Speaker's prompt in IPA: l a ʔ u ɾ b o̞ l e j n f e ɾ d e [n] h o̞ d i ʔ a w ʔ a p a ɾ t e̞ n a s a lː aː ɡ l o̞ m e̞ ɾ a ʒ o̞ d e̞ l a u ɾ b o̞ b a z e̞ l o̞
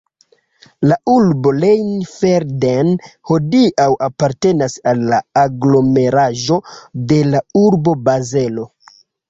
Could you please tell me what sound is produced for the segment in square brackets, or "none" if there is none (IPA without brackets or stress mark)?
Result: n